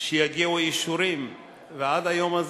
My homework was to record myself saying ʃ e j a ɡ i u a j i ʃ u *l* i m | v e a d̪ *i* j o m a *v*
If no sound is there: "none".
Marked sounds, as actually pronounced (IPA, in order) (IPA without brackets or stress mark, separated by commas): ɾ, a, z